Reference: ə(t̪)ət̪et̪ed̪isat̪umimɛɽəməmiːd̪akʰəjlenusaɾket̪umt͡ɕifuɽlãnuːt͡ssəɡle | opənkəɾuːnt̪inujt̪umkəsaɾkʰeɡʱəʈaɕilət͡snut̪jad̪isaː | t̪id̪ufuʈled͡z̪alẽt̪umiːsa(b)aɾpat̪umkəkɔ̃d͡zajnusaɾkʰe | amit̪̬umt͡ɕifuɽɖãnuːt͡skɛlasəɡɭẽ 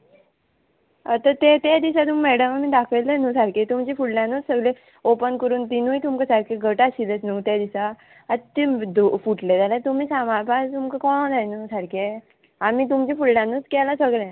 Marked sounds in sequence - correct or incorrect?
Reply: correct, incorrect

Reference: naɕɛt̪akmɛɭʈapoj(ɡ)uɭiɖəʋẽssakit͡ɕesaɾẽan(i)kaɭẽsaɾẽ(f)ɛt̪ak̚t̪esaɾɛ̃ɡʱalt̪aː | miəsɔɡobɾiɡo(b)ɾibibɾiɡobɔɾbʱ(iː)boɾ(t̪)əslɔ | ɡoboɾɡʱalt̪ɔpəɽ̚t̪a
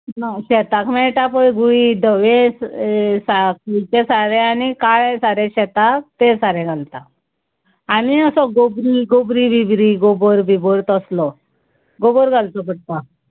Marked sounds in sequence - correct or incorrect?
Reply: correct, correct, incorrect, correct, incorrect, correct

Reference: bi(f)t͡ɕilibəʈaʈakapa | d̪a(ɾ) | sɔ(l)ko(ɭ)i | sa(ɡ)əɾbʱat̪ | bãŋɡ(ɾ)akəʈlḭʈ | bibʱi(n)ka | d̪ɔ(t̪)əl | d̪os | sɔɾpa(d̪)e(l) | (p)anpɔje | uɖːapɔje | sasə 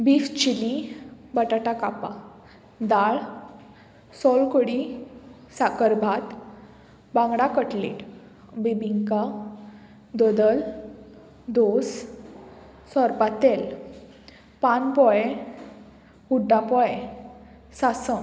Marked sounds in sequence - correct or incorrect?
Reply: correct, incorrect, correct, incorrect, incorrect, incorrect, incorrect, incorrect, incorrect, correct, correct

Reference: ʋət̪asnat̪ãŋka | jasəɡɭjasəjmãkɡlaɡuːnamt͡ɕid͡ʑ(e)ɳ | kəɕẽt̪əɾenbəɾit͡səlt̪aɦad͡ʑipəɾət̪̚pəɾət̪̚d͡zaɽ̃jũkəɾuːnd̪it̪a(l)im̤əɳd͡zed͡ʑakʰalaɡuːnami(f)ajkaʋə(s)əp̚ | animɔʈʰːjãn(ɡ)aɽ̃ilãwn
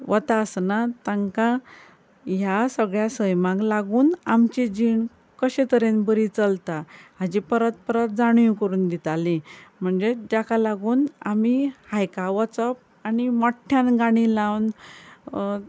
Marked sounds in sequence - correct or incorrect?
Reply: incorrect, correct, incorrect, incorrect, correct

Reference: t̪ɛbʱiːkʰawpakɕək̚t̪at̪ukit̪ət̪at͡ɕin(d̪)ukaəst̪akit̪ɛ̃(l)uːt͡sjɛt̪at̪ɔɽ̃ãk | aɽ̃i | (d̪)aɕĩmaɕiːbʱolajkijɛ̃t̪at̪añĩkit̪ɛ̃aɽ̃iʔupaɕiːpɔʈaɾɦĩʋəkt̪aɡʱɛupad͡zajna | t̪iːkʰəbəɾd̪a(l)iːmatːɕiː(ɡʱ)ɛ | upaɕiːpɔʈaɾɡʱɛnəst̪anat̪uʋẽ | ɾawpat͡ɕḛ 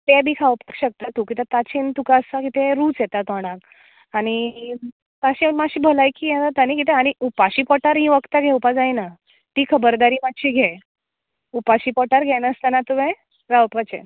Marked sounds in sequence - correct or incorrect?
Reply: incorrect, incorrect, incorrect, incorrect, correct

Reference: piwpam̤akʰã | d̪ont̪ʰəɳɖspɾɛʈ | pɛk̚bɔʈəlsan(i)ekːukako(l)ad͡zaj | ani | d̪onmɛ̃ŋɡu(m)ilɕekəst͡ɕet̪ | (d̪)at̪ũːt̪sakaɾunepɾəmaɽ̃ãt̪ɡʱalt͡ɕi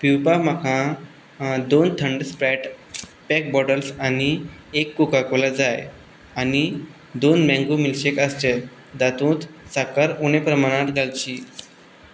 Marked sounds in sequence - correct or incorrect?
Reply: correct, correct, correct, correct

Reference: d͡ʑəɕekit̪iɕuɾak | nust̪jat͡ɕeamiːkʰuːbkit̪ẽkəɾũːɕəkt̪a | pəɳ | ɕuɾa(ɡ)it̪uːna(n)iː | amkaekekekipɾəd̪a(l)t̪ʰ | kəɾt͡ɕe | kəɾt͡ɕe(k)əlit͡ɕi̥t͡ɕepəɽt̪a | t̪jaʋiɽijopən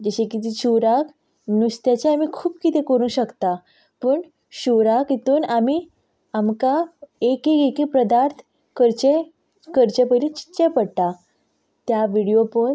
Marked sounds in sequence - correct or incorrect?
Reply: incorrect, incorrect, incorrect, incorrect

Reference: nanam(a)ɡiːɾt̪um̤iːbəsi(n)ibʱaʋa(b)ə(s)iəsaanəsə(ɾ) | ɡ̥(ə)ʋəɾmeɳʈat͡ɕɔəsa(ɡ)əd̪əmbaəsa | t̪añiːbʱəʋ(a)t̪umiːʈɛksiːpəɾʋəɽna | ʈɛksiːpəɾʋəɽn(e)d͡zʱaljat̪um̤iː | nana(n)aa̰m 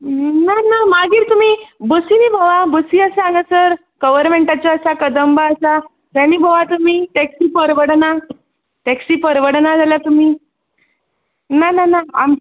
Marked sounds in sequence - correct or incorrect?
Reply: correct, correct, correct, correct, correct, correct, incorrect, correct, incorrect, correct

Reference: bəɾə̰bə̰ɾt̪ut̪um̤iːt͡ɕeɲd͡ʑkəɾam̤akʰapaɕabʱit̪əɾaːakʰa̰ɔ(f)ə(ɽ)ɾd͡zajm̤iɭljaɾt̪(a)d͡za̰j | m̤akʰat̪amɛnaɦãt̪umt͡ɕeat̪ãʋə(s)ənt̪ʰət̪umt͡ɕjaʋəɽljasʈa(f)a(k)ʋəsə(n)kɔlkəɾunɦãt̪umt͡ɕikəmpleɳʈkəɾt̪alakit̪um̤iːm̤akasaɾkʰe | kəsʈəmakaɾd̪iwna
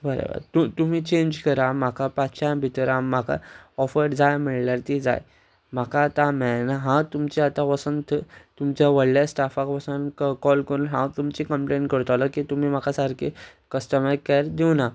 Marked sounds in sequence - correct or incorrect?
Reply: correct, incorrect, incorrect, correct, correct, correct, correct

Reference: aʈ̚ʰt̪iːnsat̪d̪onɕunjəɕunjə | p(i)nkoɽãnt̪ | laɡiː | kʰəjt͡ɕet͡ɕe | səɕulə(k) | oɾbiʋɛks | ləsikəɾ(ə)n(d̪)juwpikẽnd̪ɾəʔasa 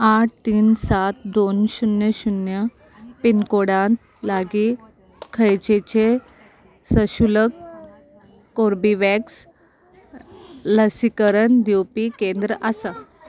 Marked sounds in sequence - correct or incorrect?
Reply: correct, correct, correct, correct

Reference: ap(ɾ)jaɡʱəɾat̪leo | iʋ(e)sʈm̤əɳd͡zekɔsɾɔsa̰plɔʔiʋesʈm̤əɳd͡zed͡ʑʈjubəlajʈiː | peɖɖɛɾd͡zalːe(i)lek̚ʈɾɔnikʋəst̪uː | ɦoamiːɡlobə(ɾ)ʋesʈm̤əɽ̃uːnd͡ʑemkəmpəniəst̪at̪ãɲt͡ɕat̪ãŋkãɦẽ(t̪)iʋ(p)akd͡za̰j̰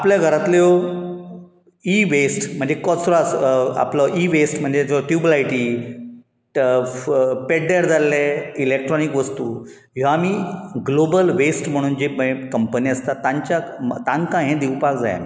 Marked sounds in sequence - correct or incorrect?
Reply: incorrect, correct, correct, incorrect, incorrect, correct

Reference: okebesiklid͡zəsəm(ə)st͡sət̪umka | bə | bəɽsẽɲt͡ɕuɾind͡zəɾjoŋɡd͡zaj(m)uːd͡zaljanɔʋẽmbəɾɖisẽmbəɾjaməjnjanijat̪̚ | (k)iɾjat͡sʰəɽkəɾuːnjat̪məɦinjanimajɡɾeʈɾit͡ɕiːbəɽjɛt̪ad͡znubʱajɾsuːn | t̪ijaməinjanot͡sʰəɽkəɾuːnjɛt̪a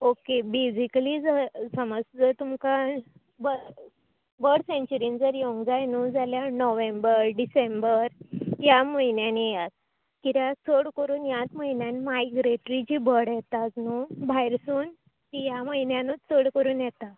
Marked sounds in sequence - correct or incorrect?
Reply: correct, incorrect, correct

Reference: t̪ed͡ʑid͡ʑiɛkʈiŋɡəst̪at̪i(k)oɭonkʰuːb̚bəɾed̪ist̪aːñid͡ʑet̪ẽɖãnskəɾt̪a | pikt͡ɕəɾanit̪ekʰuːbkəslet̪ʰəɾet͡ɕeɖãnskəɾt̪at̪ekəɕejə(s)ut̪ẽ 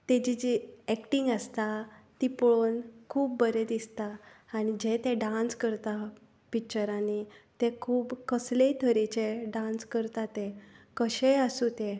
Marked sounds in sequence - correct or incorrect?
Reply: incorrect, correct

